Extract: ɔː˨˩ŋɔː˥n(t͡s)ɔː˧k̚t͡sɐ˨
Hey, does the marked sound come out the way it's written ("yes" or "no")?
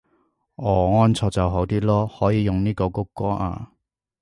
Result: no